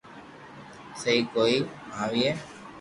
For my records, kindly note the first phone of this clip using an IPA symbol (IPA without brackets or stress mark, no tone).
s